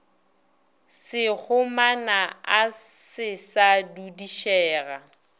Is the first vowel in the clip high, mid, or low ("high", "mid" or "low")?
high